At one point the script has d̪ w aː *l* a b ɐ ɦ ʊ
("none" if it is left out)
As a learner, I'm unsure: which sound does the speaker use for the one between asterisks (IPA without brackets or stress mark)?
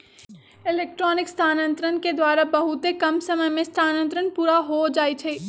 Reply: ɾ